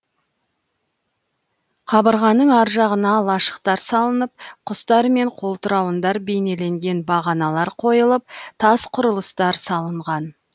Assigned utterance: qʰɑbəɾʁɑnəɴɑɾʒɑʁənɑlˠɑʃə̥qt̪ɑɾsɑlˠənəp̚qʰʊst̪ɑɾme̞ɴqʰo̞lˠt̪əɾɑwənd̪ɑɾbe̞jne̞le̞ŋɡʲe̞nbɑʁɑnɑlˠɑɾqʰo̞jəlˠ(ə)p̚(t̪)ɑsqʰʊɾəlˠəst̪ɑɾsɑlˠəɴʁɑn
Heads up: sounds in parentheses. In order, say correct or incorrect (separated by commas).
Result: correct, incorrect